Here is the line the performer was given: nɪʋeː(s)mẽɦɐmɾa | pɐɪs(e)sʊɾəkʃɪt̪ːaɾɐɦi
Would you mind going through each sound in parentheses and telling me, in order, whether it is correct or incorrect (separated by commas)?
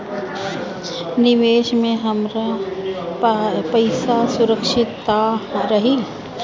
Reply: incorrect, incorrect